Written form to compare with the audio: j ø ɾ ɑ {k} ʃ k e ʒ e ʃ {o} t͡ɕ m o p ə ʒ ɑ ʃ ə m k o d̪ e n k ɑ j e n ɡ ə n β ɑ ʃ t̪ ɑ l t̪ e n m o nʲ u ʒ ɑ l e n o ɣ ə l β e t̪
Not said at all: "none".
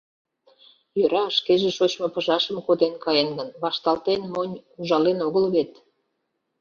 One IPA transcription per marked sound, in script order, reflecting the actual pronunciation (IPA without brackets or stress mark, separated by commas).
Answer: none, o